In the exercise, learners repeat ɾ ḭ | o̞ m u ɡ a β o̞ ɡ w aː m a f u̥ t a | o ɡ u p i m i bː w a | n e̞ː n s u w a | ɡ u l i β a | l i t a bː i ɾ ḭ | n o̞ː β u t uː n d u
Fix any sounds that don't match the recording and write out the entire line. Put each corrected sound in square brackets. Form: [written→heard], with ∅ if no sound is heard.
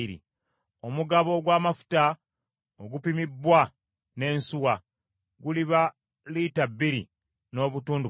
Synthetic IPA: ɾ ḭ | o̞ m u ɡ a β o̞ ɡ w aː m a f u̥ t a | o ɡ u p i m i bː w a | n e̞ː n s u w a | ɡ u l i β a | l i t a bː i ɾ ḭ | n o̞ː β u t uː n d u